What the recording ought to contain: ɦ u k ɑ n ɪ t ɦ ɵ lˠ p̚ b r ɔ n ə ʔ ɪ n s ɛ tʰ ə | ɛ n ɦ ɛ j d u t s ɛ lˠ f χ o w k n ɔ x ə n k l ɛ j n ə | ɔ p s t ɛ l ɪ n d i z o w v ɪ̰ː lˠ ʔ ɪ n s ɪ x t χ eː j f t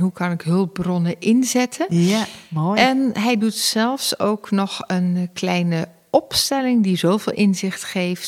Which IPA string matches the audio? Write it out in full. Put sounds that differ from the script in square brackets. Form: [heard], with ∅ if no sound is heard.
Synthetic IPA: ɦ u k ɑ n ɪ [k] ɦ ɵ lˠ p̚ b r ɔ n ə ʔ ɪ n [z] ɛ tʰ ə | ɛ n ɦ ɛ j d u t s ɛ lˠ f [s] o w k n ɔ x ə n k l ɛ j n ə | ɔ p s t ɛ l ɪ [ŋ] d i z o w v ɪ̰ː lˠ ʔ ɪ n [z] ɪ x t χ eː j f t